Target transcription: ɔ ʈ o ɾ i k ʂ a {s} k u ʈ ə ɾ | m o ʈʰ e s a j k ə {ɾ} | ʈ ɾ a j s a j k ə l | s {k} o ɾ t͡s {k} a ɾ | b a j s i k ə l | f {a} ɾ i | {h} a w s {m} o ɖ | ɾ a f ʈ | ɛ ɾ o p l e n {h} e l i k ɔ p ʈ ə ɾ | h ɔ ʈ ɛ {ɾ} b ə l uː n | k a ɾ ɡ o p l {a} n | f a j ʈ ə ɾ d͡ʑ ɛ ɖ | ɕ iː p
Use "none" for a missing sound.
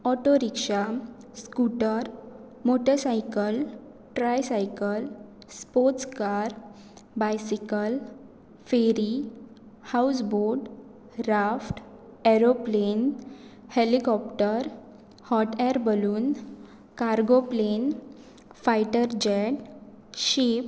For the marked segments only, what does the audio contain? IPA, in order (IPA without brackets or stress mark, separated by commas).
s, l, p, k, e, h, b, h, ɾ, e